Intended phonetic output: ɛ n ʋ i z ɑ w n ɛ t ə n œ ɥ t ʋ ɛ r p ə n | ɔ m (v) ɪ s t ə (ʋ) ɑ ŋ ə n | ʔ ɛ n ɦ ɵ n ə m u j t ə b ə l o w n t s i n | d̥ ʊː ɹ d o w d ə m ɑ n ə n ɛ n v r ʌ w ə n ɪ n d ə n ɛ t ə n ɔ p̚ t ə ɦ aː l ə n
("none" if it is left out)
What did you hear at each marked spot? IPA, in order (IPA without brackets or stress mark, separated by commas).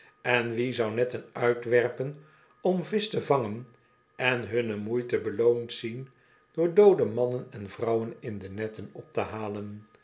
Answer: v, v